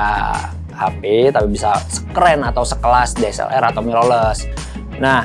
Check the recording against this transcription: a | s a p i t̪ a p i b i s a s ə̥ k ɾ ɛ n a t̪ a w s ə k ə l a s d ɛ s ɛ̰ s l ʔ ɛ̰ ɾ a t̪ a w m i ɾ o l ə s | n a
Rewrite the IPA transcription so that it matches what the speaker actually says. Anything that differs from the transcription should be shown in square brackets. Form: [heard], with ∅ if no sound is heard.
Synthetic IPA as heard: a | [h] a p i t̪ a p i b i s a s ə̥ k ɾ ɛ n a t̪ a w s ə k ə l a s d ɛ s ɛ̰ [∅] l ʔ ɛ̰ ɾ a t̪ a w m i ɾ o l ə s | n a

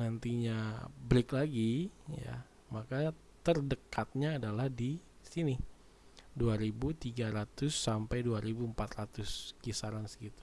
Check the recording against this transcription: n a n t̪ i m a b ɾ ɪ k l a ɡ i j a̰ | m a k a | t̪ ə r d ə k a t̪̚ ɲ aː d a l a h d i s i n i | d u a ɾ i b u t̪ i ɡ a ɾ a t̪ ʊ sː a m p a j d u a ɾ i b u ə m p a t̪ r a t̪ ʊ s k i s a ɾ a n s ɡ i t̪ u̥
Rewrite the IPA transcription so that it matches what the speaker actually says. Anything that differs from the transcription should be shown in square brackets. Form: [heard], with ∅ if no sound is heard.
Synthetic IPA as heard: n a n t̪ i [ɲ] a b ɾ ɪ k l a ɡ i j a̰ | m a k a | t̪ ə r d ə k a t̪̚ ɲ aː d a l a h d i s i n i | d u a ɾ i b u t̪ i ɡ a ɾ a t̪ ʊ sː a m p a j d u a ɾ i b u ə m p a t̪ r a t̪ ʊ s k i s a ɾ a n s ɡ i t̪ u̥

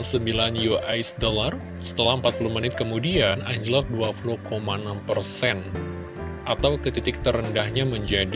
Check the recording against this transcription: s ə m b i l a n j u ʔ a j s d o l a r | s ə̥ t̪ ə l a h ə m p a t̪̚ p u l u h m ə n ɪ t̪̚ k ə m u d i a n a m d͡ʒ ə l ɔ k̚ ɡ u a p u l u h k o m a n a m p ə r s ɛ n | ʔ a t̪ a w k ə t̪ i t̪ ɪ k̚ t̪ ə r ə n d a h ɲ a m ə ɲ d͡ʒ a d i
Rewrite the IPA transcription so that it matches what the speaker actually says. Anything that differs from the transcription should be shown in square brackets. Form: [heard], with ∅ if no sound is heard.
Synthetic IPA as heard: s ə m b i l a n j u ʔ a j s d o l a r | s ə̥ t̪ ə l a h ə m p a t̪̚ p u l u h m ə n ɪ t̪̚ k ə m u d i a n a [ɲ] d͡ʒ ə l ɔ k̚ [d] u a p u l u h k o m a n a m p ə r s ɛ n | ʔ a t̪ a w k ə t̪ i t̪ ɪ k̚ t̪ ə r ə n d a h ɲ a m ə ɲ d͡ʒ a d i

